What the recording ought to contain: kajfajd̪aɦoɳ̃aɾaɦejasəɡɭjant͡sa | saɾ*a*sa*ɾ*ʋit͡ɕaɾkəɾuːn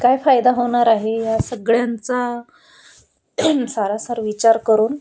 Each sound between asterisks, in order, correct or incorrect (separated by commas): correct, correct